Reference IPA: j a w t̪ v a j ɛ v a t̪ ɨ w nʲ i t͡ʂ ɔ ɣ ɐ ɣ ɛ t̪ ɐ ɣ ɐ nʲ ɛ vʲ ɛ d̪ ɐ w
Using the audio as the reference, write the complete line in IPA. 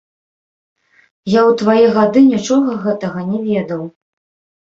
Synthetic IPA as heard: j a w t̪ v a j ɛ ɣ a d̪ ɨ nʲ i t͡ʂ ɔ ɣ ɐ ɣ ɛ t̪ ɐ ɣ ɐ nʲ ɛ vʲ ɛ d̪ ɐ w